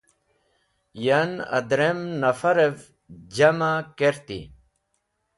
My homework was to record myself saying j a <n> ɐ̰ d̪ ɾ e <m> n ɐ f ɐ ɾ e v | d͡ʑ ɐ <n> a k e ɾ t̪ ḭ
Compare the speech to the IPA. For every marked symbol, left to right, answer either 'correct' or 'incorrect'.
correct, correct, incorrect: m

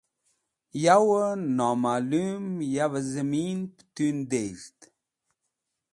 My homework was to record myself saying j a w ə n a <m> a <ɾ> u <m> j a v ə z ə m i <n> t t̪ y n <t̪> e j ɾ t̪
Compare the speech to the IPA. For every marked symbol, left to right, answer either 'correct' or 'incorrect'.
correct, incorrect: l, correct, correct, incorrect: d̪

